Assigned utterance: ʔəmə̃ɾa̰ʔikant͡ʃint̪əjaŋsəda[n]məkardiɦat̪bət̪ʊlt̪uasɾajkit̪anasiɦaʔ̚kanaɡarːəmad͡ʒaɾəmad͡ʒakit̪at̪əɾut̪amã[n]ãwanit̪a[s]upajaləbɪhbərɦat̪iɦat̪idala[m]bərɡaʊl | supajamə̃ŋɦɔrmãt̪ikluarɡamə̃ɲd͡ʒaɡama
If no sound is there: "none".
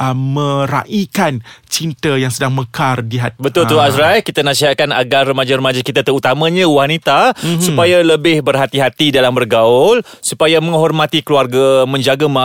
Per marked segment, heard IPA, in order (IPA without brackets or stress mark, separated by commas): ŋ, ɲ, s, m